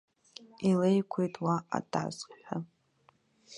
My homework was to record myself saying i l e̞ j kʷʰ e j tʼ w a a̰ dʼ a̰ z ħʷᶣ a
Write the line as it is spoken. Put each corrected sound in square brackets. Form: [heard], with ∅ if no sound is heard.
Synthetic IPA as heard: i l e̞ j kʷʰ e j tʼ w a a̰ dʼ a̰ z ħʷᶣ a